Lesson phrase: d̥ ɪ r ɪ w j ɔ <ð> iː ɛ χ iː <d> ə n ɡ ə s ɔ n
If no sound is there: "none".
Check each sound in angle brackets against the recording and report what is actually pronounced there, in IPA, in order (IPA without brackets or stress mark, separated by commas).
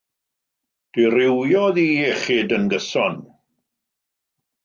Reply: ð, d